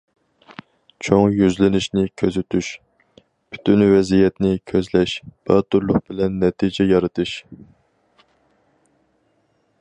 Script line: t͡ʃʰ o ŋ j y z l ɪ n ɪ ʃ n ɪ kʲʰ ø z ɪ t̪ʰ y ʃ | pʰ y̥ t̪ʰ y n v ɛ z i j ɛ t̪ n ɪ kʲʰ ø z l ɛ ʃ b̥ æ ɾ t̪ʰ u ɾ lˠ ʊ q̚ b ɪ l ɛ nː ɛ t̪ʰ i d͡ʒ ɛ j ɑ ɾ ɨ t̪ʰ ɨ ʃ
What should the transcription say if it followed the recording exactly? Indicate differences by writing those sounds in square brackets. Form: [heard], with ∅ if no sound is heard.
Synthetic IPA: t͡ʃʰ o ŋ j y z l ɪ n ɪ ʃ n ɪ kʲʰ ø z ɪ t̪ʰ y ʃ | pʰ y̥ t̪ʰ y n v ɛ z i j ɛ t̪ n ɪ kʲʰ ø z l ɛ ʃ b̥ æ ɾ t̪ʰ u ɾ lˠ ʊ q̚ b ɪ l ɛ nː ɛ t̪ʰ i d͡ʒ ɛ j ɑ ɾ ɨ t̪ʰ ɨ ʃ